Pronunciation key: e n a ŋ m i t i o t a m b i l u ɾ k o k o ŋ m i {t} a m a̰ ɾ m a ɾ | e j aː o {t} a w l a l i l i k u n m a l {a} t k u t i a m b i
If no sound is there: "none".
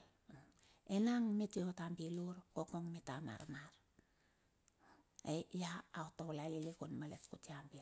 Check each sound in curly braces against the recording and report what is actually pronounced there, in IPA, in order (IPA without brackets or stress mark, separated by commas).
t, t, e